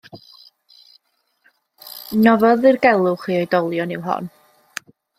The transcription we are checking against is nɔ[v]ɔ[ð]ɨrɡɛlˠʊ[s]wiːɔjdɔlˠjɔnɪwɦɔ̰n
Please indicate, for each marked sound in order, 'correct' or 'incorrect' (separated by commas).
correct, correct, incorrect